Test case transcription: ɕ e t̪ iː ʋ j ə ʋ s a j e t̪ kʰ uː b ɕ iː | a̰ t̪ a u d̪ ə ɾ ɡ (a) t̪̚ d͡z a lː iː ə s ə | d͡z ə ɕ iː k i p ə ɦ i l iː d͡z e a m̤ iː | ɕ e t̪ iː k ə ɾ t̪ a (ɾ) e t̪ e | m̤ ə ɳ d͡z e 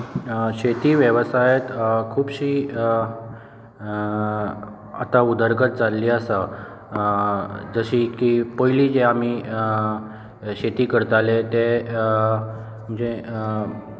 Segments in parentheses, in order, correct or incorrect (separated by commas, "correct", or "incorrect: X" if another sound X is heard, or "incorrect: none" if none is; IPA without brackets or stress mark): incorrect: ə, incorrect: l